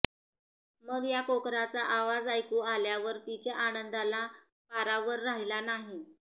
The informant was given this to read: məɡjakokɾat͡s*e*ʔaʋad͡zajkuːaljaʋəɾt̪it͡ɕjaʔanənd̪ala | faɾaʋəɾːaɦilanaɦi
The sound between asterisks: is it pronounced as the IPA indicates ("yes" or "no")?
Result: no